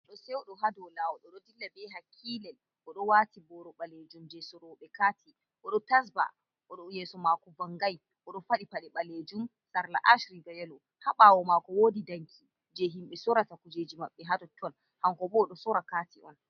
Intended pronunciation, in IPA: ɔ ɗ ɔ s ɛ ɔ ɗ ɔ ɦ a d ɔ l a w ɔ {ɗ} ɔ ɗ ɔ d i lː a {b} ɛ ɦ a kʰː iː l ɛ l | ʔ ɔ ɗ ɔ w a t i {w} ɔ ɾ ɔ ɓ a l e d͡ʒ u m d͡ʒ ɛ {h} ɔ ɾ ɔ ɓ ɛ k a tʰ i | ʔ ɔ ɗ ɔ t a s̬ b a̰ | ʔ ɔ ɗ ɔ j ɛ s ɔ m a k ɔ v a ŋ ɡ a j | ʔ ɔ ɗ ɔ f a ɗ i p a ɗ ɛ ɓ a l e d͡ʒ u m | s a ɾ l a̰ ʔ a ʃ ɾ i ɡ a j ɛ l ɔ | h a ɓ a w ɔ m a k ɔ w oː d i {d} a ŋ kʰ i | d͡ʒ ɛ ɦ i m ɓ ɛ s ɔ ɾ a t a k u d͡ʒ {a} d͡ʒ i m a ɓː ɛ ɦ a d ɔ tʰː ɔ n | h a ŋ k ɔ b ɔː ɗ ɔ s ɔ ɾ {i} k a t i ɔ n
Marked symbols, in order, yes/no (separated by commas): yes, yes, no, no, yes, no, no